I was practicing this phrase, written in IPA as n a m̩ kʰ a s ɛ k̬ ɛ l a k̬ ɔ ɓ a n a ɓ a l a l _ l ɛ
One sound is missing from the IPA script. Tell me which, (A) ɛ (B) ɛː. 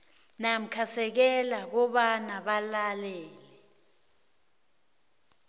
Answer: B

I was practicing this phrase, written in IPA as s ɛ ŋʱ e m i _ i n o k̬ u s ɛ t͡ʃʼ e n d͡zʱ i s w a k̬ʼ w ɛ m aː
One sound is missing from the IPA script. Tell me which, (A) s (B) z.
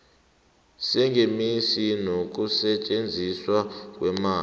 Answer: A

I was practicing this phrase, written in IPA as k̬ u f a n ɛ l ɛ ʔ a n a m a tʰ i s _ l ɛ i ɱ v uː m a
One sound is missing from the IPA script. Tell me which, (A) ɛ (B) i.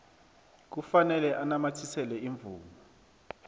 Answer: A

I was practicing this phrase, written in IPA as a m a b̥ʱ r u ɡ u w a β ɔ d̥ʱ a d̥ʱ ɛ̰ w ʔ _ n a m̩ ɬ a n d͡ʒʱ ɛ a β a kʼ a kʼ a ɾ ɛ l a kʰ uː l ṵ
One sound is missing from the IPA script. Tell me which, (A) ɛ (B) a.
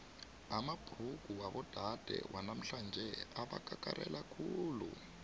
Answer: B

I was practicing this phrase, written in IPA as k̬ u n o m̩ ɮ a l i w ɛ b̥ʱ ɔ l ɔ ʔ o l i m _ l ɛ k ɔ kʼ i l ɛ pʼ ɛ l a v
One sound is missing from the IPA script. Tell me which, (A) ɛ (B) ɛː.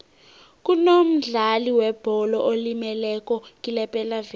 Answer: A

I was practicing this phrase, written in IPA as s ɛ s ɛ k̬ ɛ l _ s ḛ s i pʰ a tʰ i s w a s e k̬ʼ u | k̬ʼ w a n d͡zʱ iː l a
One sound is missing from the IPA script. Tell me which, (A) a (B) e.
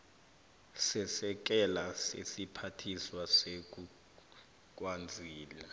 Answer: A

